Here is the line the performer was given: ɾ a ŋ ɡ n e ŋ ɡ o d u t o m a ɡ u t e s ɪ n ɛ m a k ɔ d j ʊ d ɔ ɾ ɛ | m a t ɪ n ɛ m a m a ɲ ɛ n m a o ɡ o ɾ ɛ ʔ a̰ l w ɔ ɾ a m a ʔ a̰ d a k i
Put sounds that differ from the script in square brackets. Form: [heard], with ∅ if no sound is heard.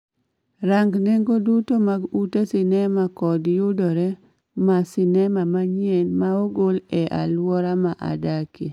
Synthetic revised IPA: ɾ a ŋ ɡ n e ŋ ɡ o d u t o m a ɡ u t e s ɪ n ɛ m a k ɔ d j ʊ d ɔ ɾ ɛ | m a [s] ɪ n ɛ m a m a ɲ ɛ n m a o ɡ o [l] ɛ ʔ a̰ l w ɔ ɾ a m a ʔ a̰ d a k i